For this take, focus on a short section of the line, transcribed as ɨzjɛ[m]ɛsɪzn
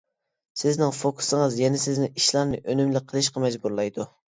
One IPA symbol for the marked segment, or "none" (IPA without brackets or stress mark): n